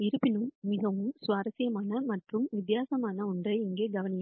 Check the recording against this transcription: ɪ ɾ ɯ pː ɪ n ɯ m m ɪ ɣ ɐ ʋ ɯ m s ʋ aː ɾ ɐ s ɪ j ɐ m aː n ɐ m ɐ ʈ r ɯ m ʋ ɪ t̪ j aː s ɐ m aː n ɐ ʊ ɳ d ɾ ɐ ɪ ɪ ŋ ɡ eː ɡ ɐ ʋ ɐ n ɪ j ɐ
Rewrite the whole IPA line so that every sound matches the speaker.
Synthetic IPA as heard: ɪ ɾ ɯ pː ɪ n ɯ m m ɪ ɣ ɐ ʋ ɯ m s ʋ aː ɾ ɐ s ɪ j ɐ m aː n ɐ m ɐ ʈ r ɯ m ʋ ɪ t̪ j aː s ɐ m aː n ɐ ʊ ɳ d r ɐ ɪ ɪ ŋ ɡ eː ɡ ɐ ʋ ɐ n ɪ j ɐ